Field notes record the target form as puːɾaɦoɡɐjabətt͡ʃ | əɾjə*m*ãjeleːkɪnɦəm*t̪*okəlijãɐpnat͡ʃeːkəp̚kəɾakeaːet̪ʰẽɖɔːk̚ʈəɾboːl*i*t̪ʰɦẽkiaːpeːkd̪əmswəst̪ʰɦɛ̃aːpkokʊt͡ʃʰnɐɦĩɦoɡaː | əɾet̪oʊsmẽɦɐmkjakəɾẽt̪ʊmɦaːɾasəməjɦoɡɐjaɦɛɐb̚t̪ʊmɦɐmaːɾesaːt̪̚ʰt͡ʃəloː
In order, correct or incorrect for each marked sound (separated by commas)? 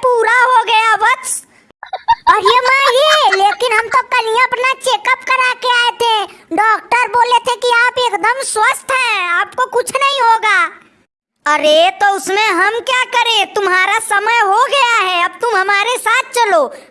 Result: correct, correct, incorrect